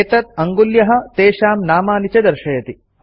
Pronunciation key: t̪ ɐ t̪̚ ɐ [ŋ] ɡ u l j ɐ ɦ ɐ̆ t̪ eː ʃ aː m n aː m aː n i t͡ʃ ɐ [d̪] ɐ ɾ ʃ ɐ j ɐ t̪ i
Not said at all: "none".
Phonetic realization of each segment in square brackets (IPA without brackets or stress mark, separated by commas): ŋ, d̪